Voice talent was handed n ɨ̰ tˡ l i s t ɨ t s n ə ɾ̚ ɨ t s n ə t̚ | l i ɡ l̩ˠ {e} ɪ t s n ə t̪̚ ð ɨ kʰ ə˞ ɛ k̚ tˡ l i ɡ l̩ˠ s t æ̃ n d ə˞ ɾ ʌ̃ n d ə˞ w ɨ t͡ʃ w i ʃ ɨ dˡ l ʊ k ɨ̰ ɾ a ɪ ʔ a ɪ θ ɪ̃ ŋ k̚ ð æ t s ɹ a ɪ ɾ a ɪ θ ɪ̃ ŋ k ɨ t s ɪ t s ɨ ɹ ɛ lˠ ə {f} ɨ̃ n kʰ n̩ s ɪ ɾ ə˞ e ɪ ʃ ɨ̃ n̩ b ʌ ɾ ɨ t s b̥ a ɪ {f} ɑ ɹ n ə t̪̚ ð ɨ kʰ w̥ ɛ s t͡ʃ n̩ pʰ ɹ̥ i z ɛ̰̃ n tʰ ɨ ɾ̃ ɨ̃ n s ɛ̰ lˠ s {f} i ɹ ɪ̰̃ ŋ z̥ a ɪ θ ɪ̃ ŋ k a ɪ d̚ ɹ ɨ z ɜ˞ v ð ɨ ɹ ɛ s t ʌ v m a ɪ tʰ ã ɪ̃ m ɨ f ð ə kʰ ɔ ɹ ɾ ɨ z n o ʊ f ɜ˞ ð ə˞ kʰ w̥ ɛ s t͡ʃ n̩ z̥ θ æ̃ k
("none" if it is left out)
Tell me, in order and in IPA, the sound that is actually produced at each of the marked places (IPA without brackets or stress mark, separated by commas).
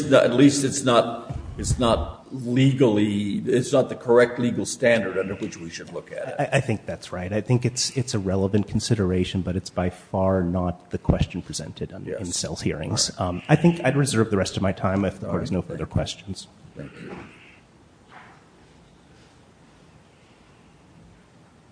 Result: i, v, f, h